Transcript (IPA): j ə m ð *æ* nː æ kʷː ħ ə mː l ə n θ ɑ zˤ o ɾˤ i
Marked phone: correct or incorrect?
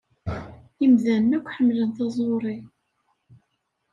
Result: correct